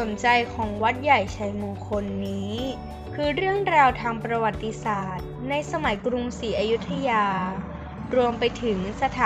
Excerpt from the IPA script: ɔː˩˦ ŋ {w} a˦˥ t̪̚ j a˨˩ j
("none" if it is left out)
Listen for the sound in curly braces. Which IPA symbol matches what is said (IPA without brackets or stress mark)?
w